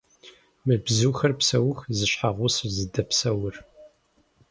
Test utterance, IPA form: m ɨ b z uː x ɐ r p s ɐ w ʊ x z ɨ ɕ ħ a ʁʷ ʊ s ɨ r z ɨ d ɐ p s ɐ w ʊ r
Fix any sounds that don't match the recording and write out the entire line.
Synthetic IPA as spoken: m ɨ b z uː x ɐ r p s ɐ w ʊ x z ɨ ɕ ħ a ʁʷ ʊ s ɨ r z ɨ d ɐ p s ɐ w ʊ r